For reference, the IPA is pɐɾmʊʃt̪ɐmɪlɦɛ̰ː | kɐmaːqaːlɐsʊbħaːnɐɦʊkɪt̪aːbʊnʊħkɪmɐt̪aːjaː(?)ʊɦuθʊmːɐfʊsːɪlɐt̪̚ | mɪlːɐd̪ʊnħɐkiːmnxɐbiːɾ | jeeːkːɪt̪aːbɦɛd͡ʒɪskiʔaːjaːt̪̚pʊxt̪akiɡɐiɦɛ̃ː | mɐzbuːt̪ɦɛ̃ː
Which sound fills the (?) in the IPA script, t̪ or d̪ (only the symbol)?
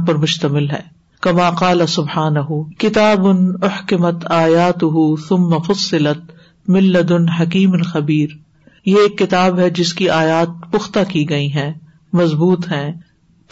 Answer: t̪